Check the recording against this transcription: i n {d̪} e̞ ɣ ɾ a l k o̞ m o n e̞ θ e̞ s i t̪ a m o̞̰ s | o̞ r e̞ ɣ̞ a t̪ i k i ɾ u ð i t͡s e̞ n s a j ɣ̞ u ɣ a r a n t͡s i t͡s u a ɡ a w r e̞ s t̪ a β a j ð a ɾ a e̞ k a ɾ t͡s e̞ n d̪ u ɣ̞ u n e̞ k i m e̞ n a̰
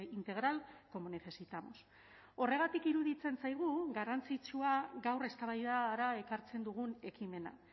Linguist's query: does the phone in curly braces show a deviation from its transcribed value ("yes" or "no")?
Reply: yes